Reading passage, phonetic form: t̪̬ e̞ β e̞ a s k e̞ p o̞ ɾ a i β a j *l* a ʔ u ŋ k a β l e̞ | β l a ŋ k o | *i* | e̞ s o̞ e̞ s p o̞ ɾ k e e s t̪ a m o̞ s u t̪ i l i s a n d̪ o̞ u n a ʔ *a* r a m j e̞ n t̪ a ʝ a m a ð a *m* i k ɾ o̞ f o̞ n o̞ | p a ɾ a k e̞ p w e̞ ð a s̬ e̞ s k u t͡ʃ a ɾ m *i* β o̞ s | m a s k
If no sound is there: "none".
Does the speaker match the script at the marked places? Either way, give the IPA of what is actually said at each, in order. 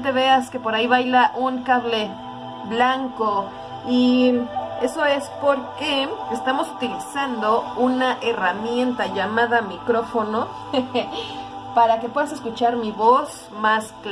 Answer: l, i, e, m, i

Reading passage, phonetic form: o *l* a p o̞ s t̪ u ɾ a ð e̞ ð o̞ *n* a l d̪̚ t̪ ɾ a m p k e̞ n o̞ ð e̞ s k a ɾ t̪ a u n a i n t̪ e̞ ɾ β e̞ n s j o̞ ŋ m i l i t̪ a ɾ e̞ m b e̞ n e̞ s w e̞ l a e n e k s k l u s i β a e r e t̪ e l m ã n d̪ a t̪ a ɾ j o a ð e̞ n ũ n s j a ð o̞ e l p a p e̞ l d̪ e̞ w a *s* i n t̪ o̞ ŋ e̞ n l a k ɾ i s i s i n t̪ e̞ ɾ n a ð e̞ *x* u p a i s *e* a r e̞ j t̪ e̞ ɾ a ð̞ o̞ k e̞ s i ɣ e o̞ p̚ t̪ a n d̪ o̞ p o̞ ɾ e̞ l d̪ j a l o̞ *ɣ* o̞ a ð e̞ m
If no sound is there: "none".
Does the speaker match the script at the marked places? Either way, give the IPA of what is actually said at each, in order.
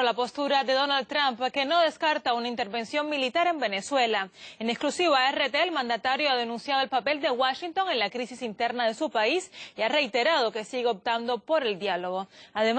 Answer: l, n, ʃ, s, i, ɣ

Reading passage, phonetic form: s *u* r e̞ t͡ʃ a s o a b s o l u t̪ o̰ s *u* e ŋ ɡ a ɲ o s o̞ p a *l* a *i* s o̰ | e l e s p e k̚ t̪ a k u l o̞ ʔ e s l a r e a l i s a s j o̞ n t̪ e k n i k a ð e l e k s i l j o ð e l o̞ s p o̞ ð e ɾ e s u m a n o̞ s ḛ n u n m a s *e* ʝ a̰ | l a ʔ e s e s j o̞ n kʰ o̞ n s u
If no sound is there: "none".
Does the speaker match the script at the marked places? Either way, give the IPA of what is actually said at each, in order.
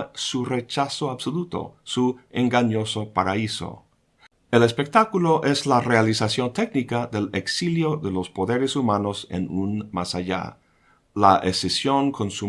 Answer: u, u, ɾ, i, a

